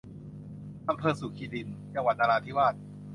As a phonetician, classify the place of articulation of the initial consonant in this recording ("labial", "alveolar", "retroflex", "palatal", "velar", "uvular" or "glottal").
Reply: glottal